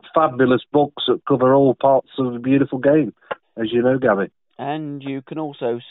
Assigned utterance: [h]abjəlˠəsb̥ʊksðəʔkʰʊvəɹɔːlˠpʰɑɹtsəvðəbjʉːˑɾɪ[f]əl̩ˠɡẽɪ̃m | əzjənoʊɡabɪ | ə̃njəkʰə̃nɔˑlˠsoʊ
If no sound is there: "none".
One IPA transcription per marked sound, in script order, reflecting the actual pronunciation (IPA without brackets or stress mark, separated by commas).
f, f